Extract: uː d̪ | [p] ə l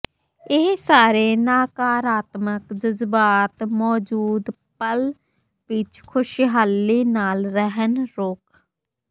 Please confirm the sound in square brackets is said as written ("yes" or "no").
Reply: yes